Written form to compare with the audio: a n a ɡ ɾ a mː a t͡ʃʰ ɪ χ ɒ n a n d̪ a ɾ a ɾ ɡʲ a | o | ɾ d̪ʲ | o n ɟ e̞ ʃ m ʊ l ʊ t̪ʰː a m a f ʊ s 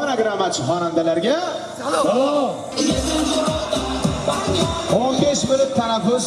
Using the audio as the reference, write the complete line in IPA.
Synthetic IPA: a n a ɡ ɾ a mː a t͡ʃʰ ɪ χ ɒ n a n d̪ a l a ɾ ɡʲ a | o | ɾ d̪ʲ | o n b e̞ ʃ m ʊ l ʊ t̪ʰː a n a f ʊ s